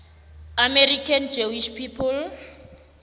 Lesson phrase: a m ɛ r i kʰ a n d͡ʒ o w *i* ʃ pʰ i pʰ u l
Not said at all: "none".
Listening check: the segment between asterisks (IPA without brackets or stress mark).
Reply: i